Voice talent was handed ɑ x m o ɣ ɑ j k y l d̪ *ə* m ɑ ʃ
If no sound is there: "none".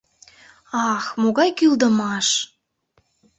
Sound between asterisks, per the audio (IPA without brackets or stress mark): ə